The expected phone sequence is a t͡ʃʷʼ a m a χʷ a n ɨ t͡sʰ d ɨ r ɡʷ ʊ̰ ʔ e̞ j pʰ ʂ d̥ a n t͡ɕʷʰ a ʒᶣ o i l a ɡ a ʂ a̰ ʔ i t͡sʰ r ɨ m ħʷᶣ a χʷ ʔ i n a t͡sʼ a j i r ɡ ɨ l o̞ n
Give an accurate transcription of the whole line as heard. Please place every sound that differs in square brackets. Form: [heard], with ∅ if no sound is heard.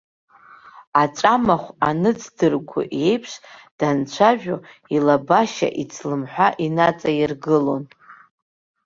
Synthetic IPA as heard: a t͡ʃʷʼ a m a χʷ a n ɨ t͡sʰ d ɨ r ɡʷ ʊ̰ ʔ e̞ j pʰ ʂ d̥ a n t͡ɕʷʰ a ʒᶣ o i l a [b] a [ʃ] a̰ ʔ i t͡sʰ [l] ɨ m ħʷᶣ a [∅] ʔ i n a t͡sʼ a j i r ɡ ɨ l o̞ n

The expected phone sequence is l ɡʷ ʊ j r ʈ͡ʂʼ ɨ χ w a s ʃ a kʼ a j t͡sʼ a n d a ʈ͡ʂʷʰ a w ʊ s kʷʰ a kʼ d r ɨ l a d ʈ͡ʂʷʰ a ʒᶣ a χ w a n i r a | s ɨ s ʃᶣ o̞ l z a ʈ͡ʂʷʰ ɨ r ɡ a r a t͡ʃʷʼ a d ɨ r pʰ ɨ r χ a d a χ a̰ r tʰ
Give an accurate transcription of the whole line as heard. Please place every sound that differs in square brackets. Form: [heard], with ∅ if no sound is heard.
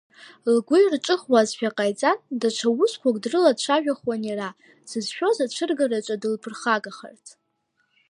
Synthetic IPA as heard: l ɡʷ ʊ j r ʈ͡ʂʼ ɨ χ w a [z] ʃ a [qʼ] a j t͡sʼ a n d a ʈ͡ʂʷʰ a w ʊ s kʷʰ a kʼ d r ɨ l a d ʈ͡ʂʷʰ a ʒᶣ a χ w a n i r a | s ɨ [z] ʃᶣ o̞ [∅] z a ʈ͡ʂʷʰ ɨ r ɡ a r a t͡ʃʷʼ a d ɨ [l] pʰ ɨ r χ a [ɡ] a χ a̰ r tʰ

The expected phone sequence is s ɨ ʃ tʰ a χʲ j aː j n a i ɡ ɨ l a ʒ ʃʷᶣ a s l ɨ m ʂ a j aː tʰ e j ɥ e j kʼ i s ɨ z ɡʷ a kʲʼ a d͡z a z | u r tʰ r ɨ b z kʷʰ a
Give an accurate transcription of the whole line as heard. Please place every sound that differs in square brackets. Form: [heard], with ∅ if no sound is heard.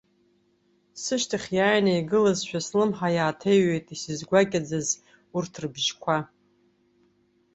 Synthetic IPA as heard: s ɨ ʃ tʰ a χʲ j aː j n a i ɡ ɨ l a [z] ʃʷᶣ a s l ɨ m [ħ] a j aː tʰ e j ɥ e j [tʼ] i s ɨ z ɡʷ a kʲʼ a d͡z a z | u r tʰ r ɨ b [ʒ] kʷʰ a

